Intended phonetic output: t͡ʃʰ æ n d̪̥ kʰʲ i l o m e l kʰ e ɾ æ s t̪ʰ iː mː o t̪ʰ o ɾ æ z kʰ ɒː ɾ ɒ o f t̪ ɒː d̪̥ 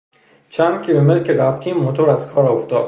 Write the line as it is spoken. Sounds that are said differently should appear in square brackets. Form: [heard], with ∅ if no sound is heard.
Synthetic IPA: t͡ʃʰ æ n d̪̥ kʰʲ i l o m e l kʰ e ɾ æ [f] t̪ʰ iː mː o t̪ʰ o ɾ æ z kʰ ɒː ɾ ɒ o f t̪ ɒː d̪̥